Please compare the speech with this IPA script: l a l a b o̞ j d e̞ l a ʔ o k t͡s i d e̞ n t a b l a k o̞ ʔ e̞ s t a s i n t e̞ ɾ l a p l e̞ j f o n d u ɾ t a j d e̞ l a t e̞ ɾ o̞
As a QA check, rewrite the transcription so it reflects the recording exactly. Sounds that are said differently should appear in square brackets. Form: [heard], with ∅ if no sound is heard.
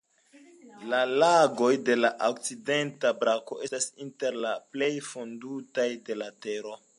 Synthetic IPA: l a l a [ɡ] o̞ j d e̞ l a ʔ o k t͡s i d e̞ n t a b [ɾ] a k o̞ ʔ e̞ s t a s i n t e̞ ɾ l a p l e̞ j f o n d u [∅] t a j d e̞ l a t e̞ ɾ o̞